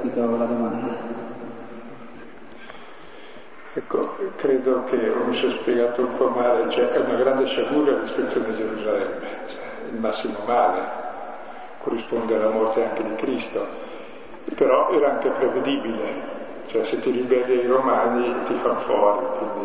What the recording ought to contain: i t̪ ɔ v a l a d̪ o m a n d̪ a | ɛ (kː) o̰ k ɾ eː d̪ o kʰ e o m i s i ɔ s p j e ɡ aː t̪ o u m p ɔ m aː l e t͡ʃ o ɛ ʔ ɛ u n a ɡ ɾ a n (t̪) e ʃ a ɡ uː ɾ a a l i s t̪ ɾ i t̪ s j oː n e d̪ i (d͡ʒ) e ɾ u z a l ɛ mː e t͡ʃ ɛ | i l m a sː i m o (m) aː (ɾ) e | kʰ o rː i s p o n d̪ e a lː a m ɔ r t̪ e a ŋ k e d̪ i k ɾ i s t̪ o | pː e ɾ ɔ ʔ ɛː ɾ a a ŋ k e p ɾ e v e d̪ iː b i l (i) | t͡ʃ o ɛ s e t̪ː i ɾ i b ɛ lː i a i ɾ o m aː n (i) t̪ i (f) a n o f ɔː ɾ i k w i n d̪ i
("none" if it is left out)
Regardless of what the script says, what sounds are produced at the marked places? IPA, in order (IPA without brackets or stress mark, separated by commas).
kː, d̪, d͡ʒ, m, l, e, i, f